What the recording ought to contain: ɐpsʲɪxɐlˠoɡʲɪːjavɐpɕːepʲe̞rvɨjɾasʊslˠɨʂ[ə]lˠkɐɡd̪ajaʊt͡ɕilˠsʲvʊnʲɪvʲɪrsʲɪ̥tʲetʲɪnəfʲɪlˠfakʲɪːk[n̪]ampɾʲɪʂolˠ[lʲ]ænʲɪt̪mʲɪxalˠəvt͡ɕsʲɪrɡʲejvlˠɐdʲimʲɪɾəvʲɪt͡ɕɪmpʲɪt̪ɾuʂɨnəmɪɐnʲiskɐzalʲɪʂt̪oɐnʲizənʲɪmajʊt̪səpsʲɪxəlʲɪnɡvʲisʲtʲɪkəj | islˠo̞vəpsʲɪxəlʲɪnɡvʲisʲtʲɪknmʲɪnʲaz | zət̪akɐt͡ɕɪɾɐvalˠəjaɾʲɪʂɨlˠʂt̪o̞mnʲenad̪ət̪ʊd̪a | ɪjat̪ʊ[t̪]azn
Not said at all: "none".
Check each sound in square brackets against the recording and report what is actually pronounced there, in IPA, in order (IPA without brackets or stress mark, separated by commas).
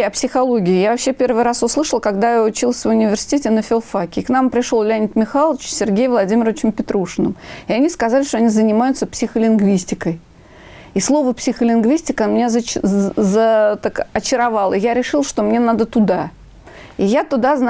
ə, n̪, lʲ, d̪